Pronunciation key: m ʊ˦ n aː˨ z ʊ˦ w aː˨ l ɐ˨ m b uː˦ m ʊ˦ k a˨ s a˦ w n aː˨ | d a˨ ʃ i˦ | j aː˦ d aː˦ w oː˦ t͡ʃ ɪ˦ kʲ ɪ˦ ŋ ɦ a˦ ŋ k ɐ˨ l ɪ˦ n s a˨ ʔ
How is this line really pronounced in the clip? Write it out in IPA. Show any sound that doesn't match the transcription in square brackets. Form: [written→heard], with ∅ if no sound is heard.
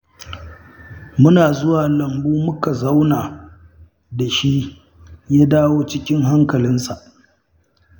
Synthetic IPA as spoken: m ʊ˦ n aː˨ z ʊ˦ w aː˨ l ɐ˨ m b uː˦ m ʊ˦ k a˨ [s→z] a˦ w n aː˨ | d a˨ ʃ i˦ | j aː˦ d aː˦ w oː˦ t͡ʃ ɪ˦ kʲ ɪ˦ ŋ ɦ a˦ ŋ k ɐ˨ l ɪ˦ n s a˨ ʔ